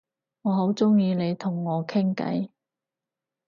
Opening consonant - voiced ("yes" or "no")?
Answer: yes